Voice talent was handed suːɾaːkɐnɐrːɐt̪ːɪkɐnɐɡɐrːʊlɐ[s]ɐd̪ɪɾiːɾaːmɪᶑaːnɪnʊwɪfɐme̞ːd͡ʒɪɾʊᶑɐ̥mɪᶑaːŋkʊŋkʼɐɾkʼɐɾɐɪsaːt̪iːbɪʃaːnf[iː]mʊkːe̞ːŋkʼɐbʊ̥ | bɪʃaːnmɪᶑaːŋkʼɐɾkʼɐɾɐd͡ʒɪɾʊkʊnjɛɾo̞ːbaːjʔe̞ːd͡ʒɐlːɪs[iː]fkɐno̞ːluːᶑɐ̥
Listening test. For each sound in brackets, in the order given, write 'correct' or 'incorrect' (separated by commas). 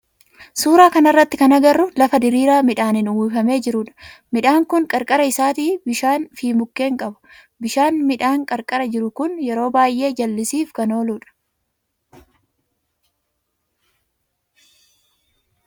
incorrect, correct, correct